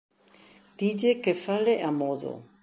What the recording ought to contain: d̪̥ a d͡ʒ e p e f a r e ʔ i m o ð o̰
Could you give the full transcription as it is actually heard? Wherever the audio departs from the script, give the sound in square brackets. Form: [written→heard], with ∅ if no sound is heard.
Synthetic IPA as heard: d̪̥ [a→i] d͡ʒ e [p→k] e f a [r→l] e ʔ [i→a] m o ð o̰